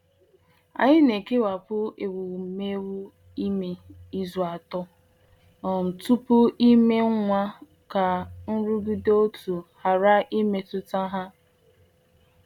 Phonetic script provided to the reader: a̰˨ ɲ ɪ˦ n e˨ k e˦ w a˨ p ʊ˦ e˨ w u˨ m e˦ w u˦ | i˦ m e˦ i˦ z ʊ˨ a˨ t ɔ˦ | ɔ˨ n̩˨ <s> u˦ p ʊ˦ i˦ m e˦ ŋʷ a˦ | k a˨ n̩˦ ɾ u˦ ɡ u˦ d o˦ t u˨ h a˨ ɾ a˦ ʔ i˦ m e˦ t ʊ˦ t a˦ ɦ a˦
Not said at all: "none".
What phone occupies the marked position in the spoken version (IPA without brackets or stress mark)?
t